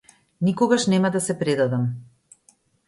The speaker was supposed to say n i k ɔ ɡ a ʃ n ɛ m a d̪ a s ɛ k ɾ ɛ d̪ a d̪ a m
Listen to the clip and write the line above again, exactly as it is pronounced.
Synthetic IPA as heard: n i k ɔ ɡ a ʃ n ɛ m a d̪ a s ɛ p ɾ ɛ d̪ a d̪ a m

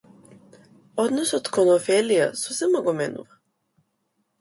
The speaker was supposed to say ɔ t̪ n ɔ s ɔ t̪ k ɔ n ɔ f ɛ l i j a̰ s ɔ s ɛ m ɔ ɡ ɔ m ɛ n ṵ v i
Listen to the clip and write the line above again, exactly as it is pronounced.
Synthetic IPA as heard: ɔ d̪ n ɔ s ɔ t̪ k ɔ n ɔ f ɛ l i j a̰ s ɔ s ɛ m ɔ ɡ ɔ m ɛ n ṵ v a

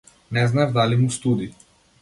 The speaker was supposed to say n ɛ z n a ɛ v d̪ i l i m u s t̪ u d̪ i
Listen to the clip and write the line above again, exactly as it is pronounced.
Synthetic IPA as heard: n ɛ z n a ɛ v d̪ a l i m u s t̪ u d̪ i

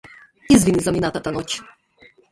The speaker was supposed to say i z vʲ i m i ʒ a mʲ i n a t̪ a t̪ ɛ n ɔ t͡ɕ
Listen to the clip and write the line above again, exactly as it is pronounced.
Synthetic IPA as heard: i z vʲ i n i z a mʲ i n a t̪ a t̪ a n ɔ t͡ɕ

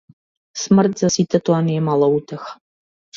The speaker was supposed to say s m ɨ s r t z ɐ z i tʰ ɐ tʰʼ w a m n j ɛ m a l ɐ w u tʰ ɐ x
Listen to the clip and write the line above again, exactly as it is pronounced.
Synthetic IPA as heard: s m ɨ r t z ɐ s i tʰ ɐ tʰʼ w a n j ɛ m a l ɐ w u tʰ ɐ x

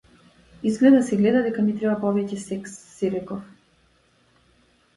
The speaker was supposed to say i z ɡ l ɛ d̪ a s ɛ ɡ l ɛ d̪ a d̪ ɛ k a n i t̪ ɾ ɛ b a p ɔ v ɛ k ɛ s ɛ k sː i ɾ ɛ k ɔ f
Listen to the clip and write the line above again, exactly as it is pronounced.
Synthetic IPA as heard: i z ɡ l ɛ d̪ a s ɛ ɡ l ɛ d̪ a d̪ ɛ k a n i t̪ ɾ ɛ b a p ɔ v ɛ c ɛ s ɛ k sː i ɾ ɛ k ɔ f

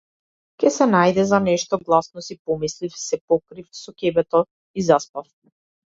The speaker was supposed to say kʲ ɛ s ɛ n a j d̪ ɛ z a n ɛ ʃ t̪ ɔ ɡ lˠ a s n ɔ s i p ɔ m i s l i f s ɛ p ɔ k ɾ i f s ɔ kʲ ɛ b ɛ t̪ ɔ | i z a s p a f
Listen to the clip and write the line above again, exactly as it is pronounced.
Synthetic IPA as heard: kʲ ɛ s ɛ n a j d̪ ɛ z a n ɛ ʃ t̪ ɔ ɡ lˠ a s n ɔ s i p ɔ m i s l i f s ɛ p ɔ k ɾ i f s ɔ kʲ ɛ b ɛ t̪ ɔ | i z a s p a f

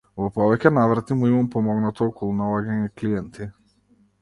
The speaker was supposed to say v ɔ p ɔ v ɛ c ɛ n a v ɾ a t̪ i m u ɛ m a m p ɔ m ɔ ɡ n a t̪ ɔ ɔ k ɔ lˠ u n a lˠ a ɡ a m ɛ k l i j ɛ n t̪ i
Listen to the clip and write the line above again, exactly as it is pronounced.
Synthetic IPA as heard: v ɔ p ɔ v ɛ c ɛ n a v ɾ a t̪ i m u i m a m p ɔ m ɔ ɡ n a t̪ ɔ ɔ k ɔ lˠ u n a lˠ a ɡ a ɲ ɛ k l i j ɛ n t̪ i

